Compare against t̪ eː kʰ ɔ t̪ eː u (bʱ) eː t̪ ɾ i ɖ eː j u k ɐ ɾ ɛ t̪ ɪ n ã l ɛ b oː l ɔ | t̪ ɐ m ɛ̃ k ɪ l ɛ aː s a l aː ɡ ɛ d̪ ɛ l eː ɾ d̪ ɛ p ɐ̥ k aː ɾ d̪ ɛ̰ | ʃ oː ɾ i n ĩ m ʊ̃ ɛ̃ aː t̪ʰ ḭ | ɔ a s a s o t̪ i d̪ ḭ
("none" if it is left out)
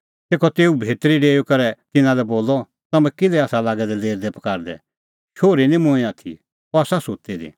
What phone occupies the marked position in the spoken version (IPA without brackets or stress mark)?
bʱ